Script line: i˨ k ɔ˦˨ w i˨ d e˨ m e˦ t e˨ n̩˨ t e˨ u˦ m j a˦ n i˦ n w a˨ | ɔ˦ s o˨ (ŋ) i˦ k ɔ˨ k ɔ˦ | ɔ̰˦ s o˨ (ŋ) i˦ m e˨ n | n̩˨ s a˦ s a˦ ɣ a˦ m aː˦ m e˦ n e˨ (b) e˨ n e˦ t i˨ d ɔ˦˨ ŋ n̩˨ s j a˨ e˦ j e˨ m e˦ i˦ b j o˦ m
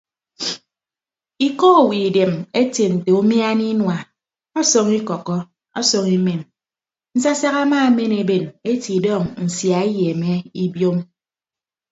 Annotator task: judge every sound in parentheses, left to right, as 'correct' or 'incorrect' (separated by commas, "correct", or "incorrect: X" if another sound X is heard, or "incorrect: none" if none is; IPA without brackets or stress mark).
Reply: correct, correct, correct